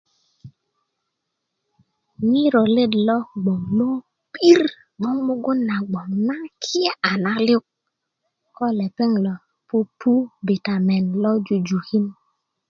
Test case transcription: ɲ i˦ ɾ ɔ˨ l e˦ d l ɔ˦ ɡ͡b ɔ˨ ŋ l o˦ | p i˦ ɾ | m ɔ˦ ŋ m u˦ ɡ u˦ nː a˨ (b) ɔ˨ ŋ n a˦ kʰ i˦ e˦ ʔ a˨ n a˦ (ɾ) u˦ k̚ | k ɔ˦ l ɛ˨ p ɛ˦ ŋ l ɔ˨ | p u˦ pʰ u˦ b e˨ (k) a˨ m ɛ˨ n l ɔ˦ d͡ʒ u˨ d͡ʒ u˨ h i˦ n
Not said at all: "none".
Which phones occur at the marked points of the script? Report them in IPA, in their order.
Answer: ɡ͡b, l, t

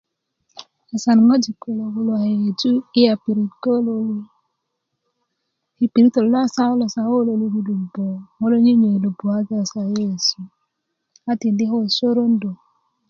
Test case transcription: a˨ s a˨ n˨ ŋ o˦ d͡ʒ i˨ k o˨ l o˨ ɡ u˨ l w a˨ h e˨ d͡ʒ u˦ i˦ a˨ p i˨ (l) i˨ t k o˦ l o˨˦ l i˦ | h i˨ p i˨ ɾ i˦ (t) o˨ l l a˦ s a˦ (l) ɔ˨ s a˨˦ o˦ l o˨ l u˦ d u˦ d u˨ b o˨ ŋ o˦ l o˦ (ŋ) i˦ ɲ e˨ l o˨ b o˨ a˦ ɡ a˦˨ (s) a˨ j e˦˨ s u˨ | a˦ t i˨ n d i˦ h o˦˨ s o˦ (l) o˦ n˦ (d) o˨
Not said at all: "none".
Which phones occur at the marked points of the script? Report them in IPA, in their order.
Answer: ɾ, t, l, ɲ, s, ɾ, d

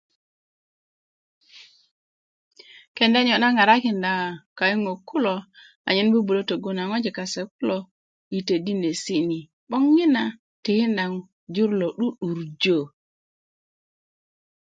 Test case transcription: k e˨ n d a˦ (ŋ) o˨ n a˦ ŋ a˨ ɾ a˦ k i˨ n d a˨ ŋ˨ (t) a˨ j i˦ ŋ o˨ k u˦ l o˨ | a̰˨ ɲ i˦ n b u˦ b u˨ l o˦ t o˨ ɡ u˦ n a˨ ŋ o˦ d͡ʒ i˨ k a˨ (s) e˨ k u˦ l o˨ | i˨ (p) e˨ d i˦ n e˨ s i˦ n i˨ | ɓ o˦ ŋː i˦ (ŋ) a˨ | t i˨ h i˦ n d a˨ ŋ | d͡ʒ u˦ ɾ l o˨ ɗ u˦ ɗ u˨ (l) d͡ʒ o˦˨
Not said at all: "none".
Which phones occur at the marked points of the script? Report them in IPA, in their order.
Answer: ɲ, k, s, t, n, ɾ

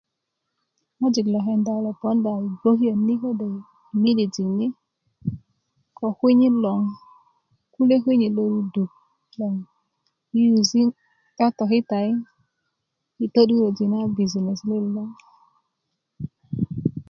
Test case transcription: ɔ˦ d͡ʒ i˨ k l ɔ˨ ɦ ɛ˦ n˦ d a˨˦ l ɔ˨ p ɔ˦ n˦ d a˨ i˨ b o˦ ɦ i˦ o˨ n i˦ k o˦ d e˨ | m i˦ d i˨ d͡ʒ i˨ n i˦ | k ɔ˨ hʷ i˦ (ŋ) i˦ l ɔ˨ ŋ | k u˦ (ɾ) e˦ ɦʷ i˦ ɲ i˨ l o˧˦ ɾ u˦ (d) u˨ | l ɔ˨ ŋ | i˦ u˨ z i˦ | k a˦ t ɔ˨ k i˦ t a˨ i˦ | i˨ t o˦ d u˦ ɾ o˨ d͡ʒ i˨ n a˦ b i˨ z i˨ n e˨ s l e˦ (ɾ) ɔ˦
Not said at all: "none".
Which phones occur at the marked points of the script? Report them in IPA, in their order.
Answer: ɲ, l, d, l

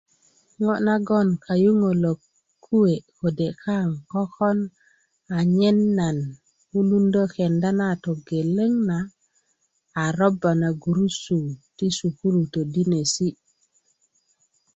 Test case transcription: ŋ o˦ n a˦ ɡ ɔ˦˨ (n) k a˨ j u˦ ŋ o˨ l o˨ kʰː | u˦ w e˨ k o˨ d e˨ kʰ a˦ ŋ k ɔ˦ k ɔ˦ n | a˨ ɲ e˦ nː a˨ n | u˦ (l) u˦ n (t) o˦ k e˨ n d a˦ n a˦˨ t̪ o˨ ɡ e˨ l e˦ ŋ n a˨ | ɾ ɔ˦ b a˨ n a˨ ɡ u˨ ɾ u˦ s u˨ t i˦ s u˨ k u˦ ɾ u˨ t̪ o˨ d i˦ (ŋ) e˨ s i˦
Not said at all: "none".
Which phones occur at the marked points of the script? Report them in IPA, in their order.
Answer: n, l, d, n

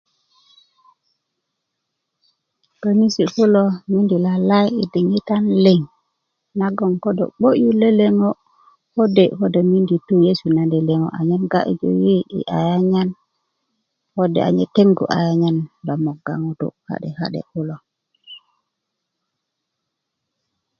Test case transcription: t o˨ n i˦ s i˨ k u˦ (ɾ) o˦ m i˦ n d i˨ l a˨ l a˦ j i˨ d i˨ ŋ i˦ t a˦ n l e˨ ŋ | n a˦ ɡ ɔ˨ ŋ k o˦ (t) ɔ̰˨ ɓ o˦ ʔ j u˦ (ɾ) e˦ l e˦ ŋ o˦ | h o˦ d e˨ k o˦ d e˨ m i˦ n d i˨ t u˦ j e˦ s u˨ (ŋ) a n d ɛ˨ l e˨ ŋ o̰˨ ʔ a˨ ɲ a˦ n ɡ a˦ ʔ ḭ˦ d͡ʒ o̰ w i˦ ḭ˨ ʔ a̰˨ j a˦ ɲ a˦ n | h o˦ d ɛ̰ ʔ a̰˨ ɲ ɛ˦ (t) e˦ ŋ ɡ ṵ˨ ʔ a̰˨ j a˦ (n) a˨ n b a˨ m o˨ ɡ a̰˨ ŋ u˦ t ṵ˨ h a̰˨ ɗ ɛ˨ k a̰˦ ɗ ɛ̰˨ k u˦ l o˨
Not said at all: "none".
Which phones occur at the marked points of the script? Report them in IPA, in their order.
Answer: l, d, l, n, t, ɲ

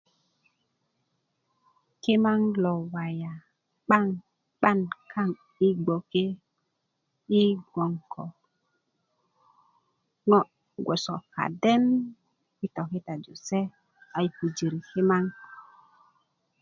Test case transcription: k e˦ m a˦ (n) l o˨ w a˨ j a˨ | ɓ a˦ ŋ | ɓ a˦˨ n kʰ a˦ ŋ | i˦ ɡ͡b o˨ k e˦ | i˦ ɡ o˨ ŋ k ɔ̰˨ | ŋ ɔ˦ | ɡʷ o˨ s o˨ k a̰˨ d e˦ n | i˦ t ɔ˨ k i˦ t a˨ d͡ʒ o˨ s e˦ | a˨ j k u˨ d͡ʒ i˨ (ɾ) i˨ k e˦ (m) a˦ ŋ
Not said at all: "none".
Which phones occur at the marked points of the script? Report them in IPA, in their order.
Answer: ŋ, ɾ, m

